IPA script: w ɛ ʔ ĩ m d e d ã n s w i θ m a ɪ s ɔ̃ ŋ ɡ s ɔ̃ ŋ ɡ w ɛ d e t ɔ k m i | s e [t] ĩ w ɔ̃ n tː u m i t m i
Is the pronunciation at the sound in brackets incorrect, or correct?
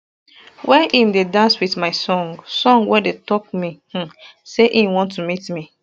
incorrect: ʔ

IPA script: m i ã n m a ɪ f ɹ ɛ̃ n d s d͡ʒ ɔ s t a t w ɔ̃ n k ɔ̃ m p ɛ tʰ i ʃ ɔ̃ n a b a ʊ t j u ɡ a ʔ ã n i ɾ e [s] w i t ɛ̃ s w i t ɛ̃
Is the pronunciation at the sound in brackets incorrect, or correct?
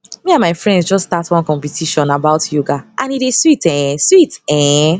correct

